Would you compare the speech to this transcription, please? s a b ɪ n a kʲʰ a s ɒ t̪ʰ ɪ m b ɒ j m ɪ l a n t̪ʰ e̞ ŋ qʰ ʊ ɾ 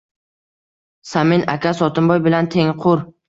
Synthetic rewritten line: s a m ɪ n a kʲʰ a s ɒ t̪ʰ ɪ m b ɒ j b ɪ l a n t̪ʰ e̞ ŋ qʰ ʊ ɾ